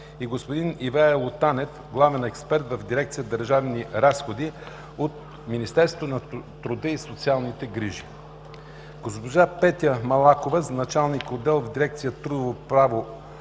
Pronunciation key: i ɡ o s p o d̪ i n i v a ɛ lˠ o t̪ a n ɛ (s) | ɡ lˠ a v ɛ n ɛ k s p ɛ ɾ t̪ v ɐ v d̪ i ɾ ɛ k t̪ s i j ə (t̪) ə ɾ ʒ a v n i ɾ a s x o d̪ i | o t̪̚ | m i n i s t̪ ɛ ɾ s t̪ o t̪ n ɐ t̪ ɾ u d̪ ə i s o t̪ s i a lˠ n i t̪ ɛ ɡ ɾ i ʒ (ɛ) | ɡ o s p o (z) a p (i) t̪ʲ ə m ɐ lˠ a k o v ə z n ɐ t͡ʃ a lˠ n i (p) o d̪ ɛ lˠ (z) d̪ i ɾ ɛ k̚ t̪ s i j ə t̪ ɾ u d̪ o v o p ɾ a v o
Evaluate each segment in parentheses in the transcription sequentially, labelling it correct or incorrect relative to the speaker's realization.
incorrect: f, incorrect: d̪, incorrect: i, incorrect: ʒ, incorrect: ɛ, incorrect: k, incorrect: v

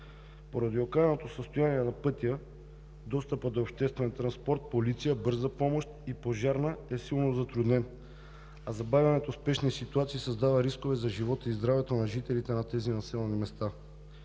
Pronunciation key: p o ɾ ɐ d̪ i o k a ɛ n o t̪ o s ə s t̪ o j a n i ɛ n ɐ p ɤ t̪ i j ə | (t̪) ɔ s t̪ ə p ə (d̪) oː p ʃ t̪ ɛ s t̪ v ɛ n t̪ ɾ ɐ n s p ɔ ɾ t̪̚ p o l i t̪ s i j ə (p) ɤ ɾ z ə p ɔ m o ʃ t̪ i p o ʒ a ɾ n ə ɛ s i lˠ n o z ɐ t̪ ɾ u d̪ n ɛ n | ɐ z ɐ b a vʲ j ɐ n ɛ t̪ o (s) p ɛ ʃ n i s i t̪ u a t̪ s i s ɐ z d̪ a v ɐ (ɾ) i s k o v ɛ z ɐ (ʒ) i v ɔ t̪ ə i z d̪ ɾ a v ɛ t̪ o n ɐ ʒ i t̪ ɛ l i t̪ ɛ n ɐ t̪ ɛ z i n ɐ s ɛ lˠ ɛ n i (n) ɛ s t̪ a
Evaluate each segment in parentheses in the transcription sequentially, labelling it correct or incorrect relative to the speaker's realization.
incorrect: d̪, correct, incorrect: b, correct, correct, correct, incorrect: m

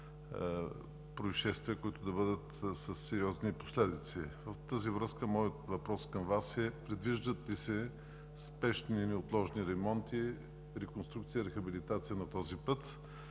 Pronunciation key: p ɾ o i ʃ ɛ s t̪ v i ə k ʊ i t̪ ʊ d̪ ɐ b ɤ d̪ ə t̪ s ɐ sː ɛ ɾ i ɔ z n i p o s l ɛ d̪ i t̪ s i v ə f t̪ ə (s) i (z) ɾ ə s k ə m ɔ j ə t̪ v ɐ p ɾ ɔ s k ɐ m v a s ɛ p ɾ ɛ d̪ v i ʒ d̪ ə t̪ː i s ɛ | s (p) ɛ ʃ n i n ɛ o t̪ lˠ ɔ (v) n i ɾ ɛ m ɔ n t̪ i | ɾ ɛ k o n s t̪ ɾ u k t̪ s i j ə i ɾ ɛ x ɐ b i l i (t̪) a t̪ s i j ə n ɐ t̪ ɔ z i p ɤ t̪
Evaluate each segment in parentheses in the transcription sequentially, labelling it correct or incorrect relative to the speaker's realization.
incorrect: z, incorrect: v, correct, incorrect: ʒ, correct

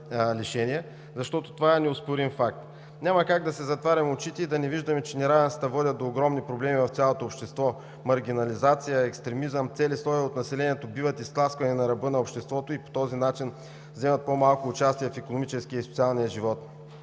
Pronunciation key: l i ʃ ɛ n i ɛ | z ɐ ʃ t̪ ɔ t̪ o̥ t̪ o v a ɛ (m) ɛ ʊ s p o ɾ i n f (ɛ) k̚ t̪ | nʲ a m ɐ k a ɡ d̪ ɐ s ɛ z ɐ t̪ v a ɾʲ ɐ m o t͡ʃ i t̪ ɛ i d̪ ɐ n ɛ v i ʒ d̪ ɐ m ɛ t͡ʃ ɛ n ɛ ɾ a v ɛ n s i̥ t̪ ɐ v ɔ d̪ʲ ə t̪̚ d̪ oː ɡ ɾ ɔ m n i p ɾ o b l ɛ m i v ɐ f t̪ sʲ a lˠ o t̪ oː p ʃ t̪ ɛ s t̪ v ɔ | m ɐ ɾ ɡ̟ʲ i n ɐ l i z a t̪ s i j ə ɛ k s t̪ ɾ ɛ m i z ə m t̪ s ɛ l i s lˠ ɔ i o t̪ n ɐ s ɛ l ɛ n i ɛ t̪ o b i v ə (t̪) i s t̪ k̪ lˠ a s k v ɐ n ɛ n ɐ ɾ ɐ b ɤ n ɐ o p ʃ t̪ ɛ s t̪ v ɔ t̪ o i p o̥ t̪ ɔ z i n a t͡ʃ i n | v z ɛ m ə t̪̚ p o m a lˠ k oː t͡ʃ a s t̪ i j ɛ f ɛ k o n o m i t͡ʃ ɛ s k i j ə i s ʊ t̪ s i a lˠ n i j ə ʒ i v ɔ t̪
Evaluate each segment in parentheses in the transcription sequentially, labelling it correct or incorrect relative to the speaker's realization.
incorrect: n, incorrect: a, correct

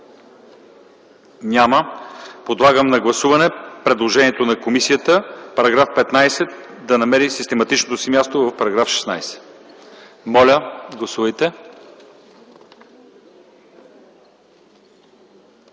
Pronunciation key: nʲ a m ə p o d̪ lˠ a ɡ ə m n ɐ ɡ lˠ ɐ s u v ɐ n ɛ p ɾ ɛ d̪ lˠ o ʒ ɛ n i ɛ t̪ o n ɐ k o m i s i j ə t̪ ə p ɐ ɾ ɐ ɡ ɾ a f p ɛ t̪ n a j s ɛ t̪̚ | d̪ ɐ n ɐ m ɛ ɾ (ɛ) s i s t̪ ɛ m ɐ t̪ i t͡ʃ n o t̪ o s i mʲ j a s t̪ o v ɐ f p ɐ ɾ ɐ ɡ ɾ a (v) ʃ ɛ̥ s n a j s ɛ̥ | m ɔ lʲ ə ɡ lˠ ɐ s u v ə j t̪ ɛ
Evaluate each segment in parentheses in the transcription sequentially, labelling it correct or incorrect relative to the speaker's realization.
incorrect: i, incorrect: f

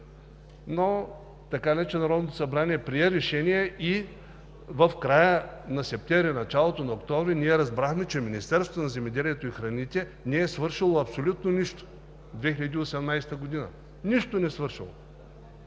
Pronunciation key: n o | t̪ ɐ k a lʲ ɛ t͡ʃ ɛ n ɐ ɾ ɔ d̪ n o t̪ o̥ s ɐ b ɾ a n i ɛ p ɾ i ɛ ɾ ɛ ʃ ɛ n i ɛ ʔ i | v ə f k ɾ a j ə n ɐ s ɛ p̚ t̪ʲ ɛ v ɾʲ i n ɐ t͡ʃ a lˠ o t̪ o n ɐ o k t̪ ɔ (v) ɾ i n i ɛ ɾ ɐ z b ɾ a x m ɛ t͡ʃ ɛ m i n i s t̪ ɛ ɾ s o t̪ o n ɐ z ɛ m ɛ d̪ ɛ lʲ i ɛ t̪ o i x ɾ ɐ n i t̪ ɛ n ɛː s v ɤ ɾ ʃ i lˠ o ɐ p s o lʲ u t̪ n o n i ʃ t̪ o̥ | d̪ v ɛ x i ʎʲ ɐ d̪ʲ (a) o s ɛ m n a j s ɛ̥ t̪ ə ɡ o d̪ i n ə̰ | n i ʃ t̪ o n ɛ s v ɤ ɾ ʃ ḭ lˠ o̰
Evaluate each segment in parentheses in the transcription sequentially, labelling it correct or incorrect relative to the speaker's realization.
correct, incorrect: i

